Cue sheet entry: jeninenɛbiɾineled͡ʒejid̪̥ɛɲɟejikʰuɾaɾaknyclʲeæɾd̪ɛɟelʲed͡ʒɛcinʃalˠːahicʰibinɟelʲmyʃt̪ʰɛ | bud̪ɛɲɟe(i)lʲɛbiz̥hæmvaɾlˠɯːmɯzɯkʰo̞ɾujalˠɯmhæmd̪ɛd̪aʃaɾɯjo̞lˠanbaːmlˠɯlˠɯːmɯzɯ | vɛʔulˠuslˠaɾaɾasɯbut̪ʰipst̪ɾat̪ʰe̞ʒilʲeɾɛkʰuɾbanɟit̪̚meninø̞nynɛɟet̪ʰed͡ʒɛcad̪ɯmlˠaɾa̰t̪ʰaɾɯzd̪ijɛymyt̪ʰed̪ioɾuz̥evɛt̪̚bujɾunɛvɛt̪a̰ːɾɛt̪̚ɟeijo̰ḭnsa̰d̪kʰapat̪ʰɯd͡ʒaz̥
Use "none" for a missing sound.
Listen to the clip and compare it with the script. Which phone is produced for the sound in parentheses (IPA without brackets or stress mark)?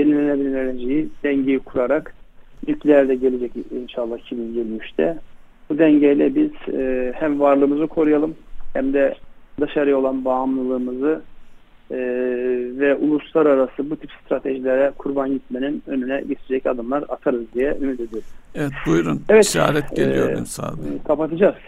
j